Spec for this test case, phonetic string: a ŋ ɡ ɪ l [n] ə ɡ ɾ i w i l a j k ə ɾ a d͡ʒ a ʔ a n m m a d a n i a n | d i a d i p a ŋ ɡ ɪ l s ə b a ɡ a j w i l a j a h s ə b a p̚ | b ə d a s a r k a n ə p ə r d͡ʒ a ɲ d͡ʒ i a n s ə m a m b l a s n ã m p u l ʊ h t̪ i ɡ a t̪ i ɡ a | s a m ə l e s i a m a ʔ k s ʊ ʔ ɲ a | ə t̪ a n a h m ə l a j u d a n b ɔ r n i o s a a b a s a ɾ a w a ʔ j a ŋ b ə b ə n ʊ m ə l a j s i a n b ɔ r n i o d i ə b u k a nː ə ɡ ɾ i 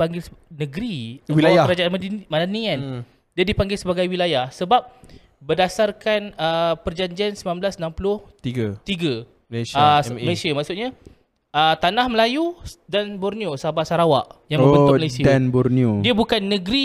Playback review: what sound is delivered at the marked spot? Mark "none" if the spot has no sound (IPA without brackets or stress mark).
n